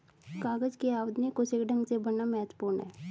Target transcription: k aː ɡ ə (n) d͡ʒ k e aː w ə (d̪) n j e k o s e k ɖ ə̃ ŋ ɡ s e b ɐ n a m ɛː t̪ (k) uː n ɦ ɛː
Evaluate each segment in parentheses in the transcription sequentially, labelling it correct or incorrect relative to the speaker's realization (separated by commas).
incorrect, correct, incorrect